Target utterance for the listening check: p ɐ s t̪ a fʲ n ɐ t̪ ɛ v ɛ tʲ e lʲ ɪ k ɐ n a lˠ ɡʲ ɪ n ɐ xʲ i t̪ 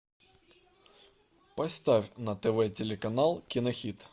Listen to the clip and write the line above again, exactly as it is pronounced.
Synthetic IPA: p ɐ s t̪ a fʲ n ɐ t̪ ɛ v ɛ tʲ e lʲ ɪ k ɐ n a lˠ kʲ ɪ n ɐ xʲ i t̪